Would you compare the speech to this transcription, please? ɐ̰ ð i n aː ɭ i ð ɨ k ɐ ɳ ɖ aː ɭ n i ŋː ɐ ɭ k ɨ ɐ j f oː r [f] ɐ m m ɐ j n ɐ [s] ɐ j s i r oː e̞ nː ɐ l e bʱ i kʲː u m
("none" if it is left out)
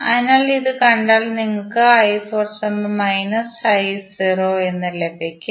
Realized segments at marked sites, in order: s, s

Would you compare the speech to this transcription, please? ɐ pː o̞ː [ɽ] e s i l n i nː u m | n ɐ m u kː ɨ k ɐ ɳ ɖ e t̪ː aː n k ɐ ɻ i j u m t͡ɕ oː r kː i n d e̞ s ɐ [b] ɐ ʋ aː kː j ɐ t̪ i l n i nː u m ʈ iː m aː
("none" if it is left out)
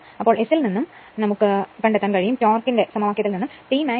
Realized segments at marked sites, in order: ɭ, m

